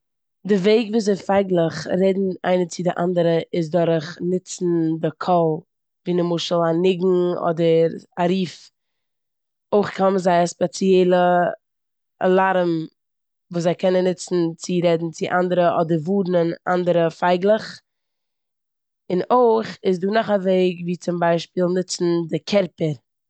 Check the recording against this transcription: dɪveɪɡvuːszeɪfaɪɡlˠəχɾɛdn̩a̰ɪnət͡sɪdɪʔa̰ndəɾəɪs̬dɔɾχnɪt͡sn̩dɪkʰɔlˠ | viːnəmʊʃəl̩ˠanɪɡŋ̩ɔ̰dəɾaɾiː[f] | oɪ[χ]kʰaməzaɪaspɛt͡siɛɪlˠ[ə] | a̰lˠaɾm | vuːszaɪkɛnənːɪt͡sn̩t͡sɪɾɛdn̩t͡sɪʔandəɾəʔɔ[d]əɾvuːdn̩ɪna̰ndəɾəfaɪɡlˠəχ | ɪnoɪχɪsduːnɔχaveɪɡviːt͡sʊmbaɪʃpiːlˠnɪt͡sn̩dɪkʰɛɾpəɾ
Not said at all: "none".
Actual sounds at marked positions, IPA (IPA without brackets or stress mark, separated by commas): f, χ, ə, d